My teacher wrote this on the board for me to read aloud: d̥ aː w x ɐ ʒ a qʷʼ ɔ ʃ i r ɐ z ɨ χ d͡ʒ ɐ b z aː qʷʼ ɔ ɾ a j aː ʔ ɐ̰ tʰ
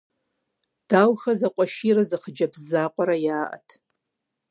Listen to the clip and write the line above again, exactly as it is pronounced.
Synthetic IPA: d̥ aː w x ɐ z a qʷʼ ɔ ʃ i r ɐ z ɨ χ d͡ʒ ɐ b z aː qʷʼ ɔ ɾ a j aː ʔ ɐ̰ tʰ